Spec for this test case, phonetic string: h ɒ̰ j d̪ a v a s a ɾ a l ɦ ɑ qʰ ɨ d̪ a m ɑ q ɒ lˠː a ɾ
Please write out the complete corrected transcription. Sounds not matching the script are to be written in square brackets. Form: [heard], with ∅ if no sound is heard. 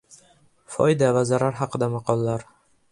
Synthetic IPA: [f] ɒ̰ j d̪ a v a [z] a ɾ a [ɾ] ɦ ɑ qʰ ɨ d̪ a m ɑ q ɒ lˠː a ɾ